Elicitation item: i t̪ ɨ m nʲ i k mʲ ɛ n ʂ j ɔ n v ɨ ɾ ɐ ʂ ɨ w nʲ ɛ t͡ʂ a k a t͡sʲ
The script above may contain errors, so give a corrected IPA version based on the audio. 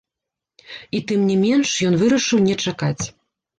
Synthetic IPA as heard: i t̪ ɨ m nʲ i mʲ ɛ n ʂ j ɔ n v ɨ ɾ ɐ ʂ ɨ w nʲ ɛ t͡ʂ a k a t͡sʲ